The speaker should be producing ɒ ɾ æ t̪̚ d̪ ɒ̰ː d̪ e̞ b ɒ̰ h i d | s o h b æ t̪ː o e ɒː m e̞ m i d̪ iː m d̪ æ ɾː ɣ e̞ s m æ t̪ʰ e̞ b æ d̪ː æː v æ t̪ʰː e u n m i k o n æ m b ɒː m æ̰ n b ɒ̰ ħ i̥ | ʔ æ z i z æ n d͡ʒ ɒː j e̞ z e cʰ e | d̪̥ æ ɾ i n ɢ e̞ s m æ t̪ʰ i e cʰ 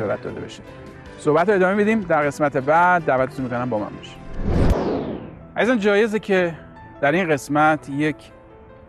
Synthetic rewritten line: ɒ ɾ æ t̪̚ d̪ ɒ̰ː d̪ e̞ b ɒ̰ ʃ i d | s o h b æ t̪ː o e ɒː m e̞ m i d̪ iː m d̪ æ ɾ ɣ e̞ s m æ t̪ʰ e̞ b æ d̪ː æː v æ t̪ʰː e u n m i k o n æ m b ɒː m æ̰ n b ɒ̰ ʃ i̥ | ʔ æ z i z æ n d͡ʒ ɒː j e̞ z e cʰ e | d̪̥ æ ɾ i n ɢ e̞ s m æ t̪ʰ j e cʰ